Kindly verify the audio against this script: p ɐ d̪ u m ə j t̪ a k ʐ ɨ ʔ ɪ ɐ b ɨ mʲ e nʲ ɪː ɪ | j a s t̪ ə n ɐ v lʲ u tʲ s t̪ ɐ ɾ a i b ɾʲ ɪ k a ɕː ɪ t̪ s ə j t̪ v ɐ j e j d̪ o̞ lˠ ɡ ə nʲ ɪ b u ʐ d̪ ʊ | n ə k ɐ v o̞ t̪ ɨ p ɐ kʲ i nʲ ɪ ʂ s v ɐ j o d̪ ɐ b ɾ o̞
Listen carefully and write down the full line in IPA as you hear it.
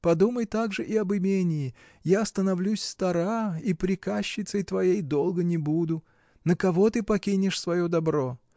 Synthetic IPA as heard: p ɐ d̪ u m ə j t̪ a ɡ ʐ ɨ ʔ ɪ ɐ b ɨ mʲ e nʲ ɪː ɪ | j a s t̪ ə n ɐ v lʲ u sʲ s t̪ ɐ ɾ a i p ɾʲ ɪ k a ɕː ɪ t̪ s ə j t̪ v ɐ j e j d̪ o̞ lˠ ɡ ə nʲ ɪ b u d̪ ʊ | n ə k ɐ v o̞ t̪ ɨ p ɐ kʲ i nʲ ɪ ʂ s v ɐ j o d̪ ɐ b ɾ o̞